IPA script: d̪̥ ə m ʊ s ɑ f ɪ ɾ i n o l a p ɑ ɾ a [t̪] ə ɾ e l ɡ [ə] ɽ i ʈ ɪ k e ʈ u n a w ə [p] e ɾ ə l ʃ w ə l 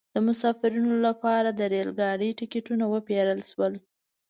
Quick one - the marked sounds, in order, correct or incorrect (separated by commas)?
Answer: incorrect, incorrect, correct